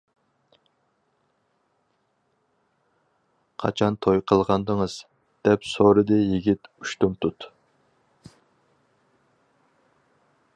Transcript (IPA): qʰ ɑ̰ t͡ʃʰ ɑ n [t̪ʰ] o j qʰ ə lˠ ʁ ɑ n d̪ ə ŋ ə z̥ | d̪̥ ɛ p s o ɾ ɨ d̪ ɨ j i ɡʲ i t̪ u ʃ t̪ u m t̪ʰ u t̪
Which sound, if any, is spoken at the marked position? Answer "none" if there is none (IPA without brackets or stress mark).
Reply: t̪ʰ